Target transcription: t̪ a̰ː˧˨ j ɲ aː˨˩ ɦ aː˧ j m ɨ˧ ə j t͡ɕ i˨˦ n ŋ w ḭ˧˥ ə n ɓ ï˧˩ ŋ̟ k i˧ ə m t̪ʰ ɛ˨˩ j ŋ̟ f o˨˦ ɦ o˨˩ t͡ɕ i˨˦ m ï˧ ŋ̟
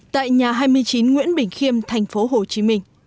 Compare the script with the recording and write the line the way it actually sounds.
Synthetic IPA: t̪ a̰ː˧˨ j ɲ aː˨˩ ɦ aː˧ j m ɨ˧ ə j t͡ɕ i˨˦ n ŋ w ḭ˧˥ ə n ɓ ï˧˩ ŋ̟ x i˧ ə m t̪ʰ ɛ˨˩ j ŋ̟ f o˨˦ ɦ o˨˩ t͡ɕ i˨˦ m ï˧ ŋ̟